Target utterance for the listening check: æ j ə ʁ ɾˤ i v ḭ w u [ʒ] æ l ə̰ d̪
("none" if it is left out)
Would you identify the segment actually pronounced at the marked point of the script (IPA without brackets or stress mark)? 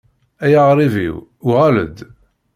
ʁ